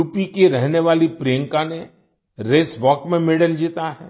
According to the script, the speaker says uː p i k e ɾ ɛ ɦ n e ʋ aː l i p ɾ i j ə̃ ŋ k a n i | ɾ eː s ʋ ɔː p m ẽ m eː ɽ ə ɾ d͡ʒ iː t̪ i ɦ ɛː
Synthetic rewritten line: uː p i k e ɾ ɛ ɦ n e ʋ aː l i p ɾ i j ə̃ ŋ k a n e | ɾ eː s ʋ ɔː k m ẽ m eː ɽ ə l d͡ʒ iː t̪ a ɦ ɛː